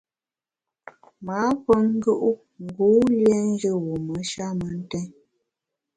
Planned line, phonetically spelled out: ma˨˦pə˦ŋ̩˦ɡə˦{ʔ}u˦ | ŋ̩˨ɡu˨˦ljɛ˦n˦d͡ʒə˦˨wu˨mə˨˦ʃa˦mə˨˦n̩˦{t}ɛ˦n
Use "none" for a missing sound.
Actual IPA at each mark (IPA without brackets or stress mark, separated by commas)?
ʔ, t